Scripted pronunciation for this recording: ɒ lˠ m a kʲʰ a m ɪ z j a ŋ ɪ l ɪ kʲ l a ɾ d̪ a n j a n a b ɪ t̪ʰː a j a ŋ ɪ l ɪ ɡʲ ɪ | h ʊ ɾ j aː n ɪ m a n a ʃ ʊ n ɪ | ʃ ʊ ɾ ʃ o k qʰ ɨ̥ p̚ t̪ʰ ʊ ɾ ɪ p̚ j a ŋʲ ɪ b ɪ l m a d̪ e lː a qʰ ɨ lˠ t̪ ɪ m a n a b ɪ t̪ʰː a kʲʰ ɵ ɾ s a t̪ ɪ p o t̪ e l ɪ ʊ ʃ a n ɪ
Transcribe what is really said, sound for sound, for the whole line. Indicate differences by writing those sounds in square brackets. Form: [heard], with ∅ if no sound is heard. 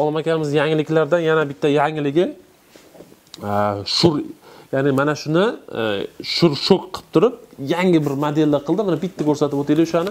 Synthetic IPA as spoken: ɒ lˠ m a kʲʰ a m ɪ z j a ŋ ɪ l ɪ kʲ l a ɾ d̪ a n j a n a b ɪ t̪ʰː a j a ŋ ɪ l ɪ ɡʲ ɪ | [ʃ] ʊ ɾ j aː n ɪ m a n a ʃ ʊ n ɪ | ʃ ʊ ɾ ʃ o k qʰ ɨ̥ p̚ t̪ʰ ʊ ɾ ɪ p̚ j a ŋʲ ɪ b ɪ [ɾ] m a d̪ e lː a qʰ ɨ lˠ [d̪] ɪ m a n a b ɪ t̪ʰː a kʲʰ ɵ ɾ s a t̪ ɪ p o t̪ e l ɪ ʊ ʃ a n ɪ